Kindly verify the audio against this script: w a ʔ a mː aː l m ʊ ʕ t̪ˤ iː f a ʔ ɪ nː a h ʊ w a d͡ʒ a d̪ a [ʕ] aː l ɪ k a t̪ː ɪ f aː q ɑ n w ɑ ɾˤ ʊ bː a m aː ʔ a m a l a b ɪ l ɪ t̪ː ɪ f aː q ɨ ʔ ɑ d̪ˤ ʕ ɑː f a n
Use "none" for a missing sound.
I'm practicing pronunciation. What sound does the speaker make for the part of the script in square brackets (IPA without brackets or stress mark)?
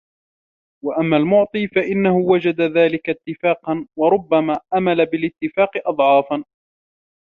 ð